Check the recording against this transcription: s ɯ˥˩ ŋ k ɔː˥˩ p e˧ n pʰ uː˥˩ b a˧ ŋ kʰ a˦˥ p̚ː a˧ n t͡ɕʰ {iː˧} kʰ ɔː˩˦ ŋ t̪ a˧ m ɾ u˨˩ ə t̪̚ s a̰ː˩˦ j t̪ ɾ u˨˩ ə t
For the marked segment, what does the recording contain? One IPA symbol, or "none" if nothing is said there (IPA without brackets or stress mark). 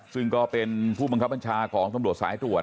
aː˧